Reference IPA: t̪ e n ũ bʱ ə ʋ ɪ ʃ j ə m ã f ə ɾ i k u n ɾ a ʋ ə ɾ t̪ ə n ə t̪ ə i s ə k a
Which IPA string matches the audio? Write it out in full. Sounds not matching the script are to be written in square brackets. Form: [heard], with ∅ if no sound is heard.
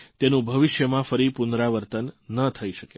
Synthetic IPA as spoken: t̪ e n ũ bʱ ə ʋ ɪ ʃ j ə m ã f ə ɾ i [p] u n ɾ a ʋ ə ɾ t̪ ə [nː] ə [t̪ʰ] ə i [ʃ] ə k [e]